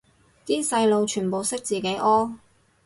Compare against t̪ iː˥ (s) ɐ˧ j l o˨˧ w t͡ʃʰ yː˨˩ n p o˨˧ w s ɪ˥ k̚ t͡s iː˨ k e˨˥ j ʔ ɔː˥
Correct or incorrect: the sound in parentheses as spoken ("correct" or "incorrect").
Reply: correct